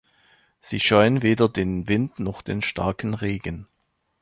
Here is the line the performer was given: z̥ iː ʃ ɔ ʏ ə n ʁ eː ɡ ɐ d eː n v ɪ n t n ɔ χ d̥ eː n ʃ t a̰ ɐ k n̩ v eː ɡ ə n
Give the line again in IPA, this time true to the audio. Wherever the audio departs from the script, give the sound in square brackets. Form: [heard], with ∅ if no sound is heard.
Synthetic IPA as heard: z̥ iː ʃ ɔ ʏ ə n [v] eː [d] ɐ d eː n v ɪ n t n ɔ χ d̥ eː n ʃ t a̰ ɐ k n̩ [ʁ] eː ɡ ə n